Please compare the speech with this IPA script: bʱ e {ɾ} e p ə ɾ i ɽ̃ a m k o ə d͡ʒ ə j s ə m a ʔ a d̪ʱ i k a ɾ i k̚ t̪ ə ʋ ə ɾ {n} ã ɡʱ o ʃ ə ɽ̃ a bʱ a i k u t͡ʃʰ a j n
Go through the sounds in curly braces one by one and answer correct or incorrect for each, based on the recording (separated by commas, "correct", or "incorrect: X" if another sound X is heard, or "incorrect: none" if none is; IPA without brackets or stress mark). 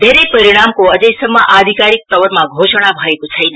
correct, incorrect: m